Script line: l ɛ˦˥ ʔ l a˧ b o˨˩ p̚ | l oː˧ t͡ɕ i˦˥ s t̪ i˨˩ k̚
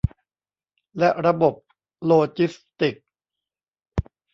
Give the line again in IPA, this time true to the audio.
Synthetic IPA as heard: l ɛ˦˥ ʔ ɾ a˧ b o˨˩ p̚ | l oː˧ t͡ɕ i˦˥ s t̪ i˨˩ k̚